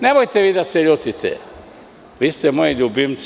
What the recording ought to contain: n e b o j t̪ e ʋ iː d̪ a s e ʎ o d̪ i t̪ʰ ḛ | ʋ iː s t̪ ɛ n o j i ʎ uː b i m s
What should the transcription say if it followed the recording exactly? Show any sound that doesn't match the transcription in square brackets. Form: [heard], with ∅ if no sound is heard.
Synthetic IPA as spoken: n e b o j t̪ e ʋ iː d̪ a s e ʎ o [t̪] i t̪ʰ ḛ | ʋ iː s t̪ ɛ [m] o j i ʎ [u] b i m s